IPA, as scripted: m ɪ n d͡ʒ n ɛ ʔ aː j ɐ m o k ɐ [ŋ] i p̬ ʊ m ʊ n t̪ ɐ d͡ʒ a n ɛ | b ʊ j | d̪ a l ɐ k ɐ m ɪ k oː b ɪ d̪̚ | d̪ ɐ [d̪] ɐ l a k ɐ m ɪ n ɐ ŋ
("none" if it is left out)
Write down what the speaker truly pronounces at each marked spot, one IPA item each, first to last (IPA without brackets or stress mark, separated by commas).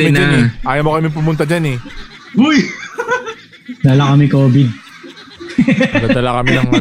m, d̪